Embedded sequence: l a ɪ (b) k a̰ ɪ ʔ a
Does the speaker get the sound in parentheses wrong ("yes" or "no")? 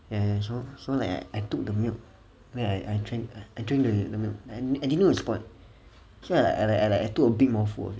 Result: yes